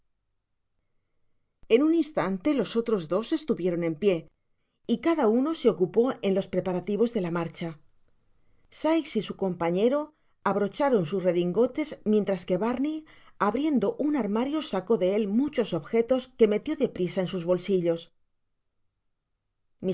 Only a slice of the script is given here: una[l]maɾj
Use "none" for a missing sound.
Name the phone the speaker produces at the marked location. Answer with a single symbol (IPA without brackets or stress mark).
ɾ